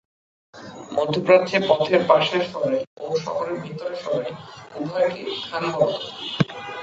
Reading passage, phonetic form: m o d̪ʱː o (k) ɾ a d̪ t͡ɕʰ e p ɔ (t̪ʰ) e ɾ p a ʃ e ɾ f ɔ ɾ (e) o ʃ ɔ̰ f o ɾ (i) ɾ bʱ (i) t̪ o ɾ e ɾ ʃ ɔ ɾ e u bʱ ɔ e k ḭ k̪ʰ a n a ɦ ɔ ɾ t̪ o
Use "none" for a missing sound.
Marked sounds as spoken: p, t̪ʰ, e, e, i

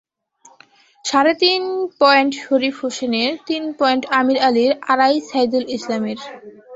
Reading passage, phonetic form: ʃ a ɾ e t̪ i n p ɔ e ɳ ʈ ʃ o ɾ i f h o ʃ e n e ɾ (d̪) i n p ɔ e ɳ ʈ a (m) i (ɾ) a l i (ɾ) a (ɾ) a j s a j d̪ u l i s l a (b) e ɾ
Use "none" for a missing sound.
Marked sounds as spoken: t̪, m, ɾ, ɾ, ɾ, m

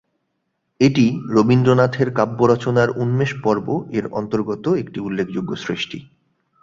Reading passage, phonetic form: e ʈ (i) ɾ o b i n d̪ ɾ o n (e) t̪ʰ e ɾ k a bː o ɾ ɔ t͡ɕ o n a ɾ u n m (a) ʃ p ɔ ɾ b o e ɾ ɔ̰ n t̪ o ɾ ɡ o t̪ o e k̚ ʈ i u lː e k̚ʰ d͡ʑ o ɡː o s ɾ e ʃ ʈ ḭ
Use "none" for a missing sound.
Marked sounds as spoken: i, a, e

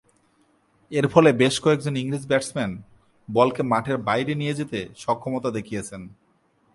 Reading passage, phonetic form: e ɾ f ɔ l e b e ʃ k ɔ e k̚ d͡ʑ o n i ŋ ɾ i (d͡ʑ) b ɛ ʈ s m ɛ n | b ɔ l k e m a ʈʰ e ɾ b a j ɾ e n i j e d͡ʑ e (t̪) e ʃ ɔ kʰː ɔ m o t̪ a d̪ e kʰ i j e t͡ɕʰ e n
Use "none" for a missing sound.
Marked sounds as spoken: d͡ʑ, t̪

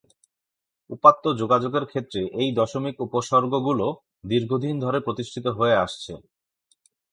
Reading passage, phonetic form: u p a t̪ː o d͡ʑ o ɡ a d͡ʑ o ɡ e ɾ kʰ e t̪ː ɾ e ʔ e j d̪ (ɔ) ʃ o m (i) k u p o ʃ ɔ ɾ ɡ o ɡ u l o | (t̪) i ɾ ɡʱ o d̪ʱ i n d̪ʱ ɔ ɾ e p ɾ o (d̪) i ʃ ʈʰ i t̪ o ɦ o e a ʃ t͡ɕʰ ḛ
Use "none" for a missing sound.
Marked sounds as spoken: ɔ, i, d̪, t̪

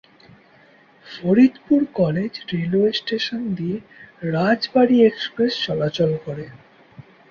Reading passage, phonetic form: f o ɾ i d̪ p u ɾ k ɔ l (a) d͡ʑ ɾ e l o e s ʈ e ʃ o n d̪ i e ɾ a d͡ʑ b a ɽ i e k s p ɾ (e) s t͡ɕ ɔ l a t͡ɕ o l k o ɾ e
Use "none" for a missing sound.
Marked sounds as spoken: e, e

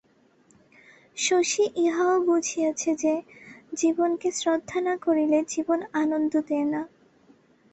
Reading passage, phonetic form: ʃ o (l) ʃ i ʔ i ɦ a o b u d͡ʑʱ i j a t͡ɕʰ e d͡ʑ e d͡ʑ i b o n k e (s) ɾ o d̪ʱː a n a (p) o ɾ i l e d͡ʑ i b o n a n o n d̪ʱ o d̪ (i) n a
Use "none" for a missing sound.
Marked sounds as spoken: none, s, k, e

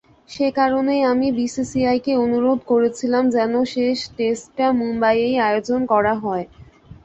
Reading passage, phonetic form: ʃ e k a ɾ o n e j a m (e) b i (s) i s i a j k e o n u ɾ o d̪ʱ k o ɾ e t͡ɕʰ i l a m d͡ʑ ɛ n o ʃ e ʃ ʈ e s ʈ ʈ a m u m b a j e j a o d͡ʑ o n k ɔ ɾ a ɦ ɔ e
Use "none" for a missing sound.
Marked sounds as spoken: i, s

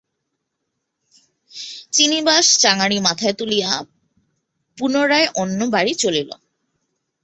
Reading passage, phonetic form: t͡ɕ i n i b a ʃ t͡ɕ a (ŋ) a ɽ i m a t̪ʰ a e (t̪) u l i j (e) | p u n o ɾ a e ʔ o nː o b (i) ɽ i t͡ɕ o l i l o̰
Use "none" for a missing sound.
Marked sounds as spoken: ŋ, t̪, a, a

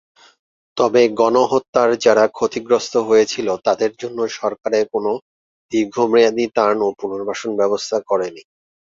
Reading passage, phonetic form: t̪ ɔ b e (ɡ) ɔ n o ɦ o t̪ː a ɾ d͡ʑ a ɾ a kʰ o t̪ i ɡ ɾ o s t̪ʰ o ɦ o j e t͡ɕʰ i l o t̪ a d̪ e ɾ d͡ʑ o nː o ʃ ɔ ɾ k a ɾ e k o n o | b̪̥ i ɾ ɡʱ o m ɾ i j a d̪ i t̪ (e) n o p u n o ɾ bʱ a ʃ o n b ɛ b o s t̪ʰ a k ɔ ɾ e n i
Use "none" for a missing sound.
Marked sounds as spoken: ɡ, a

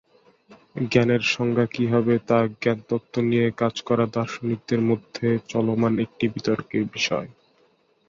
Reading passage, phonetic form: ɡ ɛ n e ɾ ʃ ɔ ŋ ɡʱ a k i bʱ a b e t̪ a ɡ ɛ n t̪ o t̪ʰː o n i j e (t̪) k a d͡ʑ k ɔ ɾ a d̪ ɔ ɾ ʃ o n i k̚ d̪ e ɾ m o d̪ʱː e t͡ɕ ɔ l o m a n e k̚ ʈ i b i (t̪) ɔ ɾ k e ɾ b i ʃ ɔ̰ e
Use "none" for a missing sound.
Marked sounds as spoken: none, t̪

